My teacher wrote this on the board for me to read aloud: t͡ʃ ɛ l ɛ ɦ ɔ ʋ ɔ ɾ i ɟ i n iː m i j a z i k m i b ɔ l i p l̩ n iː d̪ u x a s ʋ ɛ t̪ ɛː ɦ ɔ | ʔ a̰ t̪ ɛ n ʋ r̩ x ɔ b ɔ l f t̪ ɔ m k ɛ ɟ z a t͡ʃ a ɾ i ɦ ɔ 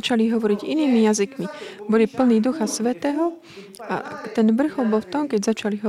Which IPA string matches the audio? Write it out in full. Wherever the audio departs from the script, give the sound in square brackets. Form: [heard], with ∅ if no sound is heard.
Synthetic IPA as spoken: t͡ʃ [a] l [i] ɦ ɔ ʋ ɔ ɾ i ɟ i n iː m i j a z i k m i b ɔ l i p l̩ n iː d̪ u x a s ʋ ɛ t̪ ɛː ɦ ɔ | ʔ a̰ t̪ ɛ n ʋ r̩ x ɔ b ɔ l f t̪ ɔ m k ɛ ɟ z a t͡ʃ a [l] i ɦ ɔ